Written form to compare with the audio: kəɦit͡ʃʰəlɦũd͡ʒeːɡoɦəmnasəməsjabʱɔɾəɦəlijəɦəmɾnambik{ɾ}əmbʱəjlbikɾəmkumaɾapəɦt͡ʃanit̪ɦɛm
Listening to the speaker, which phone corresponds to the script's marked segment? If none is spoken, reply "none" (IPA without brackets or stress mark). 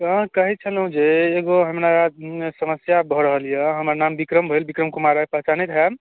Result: ɾ